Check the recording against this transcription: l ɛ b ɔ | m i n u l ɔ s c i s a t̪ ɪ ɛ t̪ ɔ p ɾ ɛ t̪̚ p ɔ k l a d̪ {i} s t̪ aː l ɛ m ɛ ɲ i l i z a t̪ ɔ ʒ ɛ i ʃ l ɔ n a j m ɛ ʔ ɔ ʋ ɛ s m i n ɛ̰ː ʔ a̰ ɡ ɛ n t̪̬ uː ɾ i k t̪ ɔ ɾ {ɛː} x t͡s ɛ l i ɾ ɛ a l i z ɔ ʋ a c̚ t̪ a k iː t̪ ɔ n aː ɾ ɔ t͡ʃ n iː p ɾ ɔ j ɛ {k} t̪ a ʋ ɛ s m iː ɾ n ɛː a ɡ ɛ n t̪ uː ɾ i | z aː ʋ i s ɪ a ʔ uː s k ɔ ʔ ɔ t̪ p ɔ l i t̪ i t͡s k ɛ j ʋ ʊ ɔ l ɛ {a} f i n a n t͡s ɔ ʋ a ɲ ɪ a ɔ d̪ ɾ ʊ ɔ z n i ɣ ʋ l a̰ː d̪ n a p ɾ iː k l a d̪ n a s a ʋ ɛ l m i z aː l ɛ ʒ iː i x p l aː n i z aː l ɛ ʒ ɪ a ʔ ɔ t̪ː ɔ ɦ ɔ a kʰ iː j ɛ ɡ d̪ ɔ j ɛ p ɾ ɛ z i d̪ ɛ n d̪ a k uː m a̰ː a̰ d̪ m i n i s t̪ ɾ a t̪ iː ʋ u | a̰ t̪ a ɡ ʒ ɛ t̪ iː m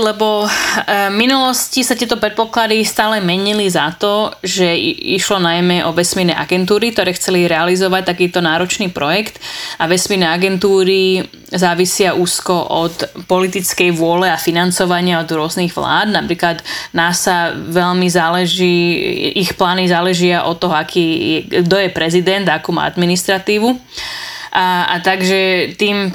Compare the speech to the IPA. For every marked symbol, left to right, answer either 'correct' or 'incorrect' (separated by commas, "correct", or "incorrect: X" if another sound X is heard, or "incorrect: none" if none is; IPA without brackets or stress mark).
correct, correct, correct, correct